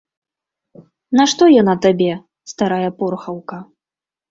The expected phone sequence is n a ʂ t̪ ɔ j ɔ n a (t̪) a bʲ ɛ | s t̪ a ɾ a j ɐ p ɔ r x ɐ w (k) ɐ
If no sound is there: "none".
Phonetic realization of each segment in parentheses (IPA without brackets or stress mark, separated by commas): t̪, k